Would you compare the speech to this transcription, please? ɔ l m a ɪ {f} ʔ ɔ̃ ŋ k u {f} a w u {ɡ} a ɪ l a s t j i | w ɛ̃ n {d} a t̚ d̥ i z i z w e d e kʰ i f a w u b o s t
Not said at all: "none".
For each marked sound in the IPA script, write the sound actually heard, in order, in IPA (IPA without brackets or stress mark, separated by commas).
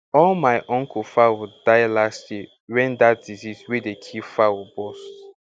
none, f, d, d